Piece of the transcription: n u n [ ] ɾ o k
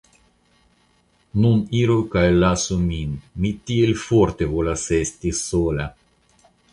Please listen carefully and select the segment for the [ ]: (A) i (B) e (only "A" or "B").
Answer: A